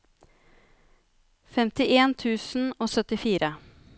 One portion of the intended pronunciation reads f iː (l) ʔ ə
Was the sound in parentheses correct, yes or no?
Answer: no